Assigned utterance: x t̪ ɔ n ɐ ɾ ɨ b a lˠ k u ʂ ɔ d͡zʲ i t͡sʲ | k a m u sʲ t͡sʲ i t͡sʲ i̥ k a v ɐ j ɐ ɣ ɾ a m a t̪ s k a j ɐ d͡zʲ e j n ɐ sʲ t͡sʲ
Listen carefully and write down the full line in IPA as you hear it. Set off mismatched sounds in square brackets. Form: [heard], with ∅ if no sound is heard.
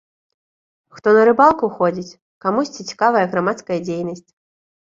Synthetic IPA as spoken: x t̪ ɔ n ɐ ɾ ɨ b a lˠ k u [x] ɔ d͡zʲ i t͡sʲ | k a m u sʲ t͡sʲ i t͡sʲ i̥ k a v ɐ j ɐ ɣ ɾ a m a t̪ s k [ɐ] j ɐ d͡zʲ e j n ɐ sʲ t͡sʲ

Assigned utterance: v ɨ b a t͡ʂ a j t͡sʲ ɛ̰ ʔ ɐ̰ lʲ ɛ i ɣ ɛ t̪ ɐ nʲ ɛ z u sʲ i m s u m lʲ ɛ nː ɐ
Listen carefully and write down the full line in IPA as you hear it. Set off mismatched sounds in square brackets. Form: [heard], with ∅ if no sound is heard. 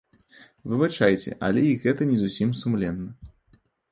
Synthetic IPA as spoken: v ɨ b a t͡ʂ a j t͡sʲ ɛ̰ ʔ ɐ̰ lʲ ɛ i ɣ ɛ t̪ ɐ nʲ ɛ z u sʲ i m s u m lʲ ɛ nː ɐ

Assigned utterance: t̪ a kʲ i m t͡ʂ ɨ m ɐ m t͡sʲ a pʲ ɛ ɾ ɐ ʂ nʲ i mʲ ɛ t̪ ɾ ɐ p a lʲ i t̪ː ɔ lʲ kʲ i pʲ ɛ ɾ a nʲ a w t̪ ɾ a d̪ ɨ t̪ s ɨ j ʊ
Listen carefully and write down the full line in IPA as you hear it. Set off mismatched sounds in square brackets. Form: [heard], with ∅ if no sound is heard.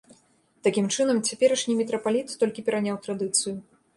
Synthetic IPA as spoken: t̪ a kʲ i m t͡ʂ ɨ [n] ɐ m t͡sʲ a pʲ ɛ ɾ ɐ ʂ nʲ i mʲ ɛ t̪ ɾ ɐ p a lʲ i t̪ː ɔ lʲ kʲ i pʲ ɛ ɾ a nʲ a w t̪ ɾ a d̪ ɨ t̪ s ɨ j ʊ

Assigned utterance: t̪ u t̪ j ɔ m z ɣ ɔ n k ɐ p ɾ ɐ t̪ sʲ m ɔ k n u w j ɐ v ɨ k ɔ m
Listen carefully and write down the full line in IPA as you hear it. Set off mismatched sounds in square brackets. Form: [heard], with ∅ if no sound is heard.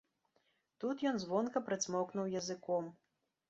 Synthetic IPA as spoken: t̪ u t̪ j ɔ [n] z [v] ɔ n k ɐ p ɾ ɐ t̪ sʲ m ɔ k n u w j ɐ [z] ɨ k ɔ m

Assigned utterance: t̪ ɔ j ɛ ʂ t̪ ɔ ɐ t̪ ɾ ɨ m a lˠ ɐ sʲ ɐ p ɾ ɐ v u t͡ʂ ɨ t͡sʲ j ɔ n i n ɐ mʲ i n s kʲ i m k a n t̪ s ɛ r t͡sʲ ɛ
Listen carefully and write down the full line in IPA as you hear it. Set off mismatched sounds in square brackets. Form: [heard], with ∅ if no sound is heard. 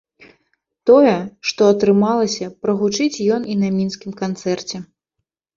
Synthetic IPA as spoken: t̪ ɔ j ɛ ʂ t̪ ɔ ɐ t̪ ɾ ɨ m a lˠ ɐ sʲ ɐ p ɾ ɐ [ɣ] u t͡ʂ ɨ t͡sʲ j ɔ n i n ɐ mʲ i n s kʲ i m k a n t̪ s ɛ r t͡sʲ ɛ

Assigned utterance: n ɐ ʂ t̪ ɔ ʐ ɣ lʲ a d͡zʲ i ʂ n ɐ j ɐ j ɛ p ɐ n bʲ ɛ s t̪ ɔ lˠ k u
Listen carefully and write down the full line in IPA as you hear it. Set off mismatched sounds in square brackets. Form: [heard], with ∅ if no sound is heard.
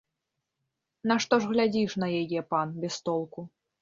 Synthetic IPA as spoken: n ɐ ʂ t̪ ɔ ʐ ɣ lʲ a d͡zʲ i ʂ n ɐ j [a] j ɛ p [a] n bʲ ɛ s t̪ ɔ lˠ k u

